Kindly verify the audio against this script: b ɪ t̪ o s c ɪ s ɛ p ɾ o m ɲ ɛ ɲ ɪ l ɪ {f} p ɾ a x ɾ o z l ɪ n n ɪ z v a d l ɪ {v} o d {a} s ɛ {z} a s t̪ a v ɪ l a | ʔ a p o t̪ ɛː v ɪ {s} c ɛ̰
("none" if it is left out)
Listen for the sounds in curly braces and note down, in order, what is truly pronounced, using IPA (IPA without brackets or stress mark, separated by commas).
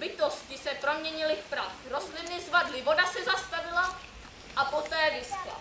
f, v, a, z, s